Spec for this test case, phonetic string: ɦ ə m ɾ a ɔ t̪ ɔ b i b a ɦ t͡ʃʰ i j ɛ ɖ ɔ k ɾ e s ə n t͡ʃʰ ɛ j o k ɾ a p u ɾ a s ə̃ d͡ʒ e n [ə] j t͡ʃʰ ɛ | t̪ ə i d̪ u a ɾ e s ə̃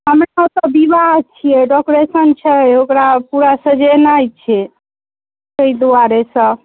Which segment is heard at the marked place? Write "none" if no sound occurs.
a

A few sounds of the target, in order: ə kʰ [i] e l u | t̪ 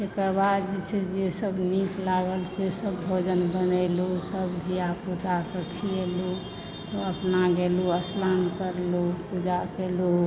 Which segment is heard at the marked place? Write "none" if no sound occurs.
i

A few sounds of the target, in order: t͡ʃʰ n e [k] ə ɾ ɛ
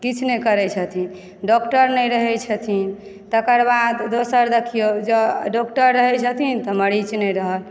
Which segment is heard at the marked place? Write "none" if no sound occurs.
k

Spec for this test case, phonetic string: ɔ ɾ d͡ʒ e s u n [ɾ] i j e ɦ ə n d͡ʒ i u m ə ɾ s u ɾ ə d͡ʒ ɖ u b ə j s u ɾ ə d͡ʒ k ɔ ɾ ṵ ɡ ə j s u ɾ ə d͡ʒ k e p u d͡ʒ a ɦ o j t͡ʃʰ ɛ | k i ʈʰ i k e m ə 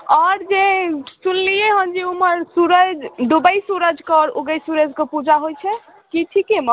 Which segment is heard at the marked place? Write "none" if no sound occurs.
l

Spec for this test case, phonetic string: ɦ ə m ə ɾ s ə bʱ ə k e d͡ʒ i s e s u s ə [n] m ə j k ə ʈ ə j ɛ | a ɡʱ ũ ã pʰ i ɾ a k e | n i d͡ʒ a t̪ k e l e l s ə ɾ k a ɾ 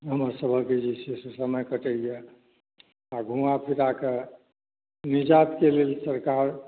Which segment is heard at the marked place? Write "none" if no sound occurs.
none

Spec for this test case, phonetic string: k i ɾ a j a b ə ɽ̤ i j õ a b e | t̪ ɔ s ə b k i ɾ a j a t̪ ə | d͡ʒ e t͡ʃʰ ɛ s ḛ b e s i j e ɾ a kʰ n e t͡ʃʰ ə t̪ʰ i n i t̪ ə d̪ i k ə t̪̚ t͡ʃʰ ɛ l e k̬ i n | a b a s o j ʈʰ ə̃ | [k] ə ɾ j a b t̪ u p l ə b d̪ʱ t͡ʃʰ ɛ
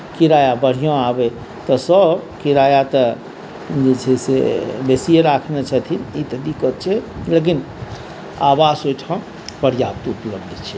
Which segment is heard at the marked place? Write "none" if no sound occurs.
p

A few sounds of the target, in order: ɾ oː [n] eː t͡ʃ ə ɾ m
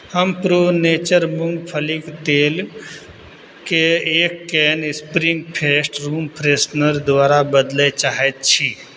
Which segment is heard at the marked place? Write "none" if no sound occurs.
n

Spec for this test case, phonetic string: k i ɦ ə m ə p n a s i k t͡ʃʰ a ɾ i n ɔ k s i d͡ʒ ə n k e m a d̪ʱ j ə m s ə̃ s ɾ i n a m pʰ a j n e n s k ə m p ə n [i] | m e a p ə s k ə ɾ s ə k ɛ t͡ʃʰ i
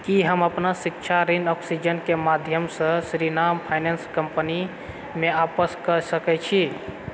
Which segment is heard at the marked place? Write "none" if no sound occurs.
i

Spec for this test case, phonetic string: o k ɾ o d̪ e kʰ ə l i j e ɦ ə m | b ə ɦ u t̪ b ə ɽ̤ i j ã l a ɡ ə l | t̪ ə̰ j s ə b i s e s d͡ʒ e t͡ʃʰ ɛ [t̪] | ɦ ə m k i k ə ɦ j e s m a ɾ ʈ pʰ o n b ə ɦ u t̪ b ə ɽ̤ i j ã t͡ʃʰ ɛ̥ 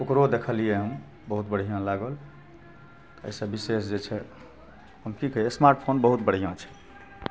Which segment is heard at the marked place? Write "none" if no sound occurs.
none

